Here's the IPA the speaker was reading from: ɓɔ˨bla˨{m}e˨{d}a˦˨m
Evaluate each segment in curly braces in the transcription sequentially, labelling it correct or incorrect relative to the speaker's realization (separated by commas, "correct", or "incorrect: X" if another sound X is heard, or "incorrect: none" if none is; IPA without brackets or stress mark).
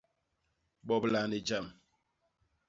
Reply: incorrect: n, incorrect: d͡ʒ